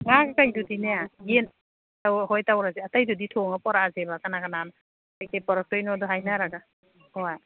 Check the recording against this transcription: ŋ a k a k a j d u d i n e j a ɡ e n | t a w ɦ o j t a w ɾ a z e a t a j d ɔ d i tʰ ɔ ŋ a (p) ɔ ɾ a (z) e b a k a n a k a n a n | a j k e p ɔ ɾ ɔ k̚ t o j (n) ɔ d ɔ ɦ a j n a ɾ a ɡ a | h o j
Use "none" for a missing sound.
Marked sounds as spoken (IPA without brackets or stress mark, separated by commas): p, z, n